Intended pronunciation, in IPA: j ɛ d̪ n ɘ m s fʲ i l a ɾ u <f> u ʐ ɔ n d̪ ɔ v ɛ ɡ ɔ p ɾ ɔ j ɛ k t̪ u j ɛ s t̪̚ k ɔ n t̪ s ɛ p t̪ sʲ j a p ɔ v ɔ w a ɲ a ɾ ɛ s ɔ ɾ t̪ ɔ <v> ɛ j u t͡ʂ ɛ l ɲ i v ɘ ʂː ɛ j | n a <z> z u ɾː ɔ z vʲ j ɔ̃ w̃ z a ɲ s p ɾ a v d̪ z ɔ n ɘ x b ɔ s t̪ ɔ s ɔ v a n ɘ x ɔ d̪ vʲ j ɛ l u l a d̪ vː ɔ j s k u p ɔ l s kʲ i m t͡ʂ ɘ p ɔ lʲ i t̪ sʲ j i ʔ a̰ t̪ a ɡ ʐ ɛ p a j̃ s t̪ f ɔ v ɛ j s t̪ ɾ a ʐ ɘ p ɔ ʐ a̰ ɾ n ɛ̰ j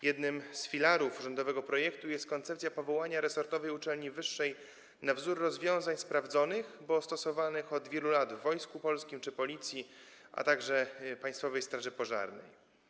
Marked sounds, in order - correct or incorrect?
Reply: correct, correct, incorrect: v

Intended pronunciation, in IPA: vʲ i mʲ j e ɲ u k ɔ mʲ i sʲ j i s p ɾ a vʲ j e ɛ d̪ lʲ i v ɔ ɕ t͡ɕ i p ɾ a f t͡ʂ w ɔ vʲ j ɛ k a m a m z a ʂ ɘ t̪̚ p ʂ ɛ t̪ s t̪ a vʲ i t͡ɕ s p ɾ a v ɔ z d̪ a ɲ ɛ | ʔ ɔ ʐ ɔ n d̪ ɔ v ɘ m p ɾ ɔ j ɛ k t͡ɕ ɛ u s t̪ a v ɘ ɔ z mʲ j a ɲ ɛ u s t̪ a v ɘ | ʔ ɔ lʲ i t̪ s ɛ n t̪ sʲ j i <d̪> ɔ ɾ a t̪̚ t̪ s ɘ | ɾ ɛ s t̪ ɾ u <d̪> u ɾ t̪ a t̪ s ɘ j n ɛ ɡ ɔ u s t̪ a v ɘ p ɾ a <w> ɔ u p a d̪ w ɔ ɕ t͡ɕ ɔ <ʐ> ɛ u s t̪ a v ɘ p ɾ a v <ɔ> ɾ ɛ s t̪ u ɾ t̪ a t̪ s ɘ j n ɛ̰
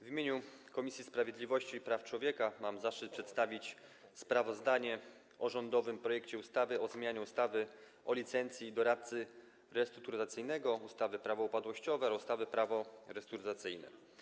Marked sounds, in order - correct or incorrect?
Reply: correct, incorrect: t̪, incorrect: v, incorrect: v, correct

